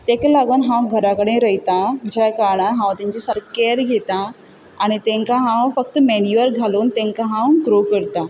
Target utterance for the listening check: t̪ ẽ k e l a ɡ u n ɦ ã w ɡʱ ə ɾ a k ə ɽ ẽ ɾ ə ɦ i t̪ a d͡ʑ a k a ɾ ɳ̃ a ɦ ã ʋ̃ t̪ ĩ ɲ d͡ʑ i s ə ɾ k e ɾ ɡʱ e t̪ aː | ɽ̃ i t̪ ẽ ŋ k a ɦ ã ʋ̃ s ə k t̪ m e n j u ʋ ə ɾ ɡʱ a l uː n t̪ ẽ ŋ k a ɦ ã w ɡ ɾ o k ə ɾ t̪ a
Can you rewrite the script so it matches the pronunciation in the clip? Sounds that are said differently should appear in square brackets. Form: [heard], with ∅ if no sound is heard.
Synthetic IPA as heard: t̪ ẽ k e l a ɡ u n ɦ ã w ɡʱ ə ɾ a k ə ɽ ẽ ɾ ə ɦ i t̪ a d͡ʑ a k a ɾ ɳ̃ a ɦ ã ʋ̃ t̪ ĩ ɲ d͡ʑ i s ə ɾ k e ɾ ɡʱ e t̪ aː | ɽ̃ i t̪ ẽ ŋ k a ɦ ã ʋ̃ [f] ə k t̪ m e n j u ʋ ə ɾ ɡʱ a l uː n t̪ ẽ ŋ k a ɦ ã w ɡ ɾ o k ə ɾ t̪ a